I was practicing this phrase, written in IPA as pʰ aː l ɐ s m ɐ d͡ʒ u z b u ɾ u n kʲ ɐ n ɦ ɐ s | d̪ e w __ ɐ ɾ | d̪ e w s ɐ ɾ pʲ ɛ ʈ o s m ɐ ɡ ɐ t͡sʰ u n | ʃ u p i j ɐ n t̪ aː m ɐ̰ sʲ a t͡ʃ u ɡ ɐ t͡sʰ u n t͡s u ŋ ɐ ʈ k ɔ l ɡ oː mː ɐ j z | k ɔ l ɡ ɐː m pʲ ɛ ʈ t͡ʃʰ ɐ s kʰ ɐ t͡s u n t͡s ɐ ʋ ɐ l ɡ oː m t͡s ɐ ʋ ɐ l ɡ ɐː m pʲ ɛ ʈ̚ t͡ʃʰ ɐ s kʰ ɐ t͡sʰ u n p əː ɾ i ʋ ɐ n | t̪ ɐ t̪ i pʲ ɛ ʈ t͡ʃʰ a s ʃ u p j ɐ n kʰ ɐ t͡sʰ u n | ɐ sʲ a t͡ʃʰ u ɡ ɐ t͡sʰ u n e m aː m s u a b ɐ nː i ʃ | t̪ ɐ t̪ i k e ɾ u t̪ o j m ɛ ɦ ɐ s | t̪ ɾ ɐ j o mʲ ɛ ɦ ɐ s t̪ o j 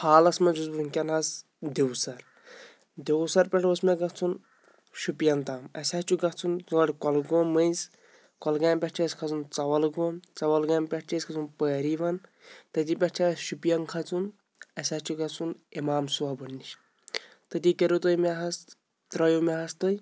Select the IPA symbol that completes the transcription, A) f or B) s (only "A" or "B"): B